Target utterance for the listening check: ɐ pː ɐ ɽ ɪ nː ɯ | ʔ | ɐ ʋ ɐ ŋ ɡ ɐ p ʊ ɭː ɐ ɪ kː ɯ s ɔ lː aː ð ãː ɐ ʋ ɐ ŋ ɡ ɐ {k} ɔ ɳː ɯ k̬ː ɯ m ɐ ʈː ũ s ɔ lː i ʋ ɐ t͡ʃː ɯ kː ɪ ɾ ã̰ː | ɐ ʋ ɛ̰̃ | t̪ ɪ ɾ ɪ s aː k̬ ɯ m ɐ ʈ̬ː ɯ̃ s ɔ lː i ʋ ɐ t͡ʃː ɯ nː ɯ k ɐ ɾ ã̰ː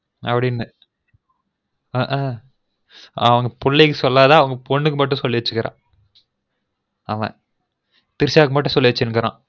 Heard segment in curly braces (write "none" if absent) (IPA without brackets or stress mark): p